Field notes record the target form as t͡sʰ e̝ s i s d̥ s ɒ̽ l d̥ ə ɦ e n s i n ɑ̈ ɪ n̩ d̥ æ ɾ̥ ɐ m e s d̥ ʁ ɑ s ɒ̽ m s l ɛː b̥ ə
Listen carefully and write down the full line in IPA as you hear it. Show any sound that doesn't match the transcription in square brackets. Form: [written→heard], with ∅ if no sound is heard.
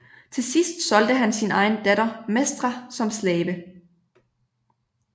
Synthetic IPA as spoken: t͡sʰ e̝ s i s d̥ s ɒ̽ l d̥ ə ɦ [e→æ] n s i n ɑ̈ ɪ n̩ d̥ æ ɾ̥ ɐ m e s d̥ ʁ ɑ s ɒ̽ m s l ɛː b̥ ə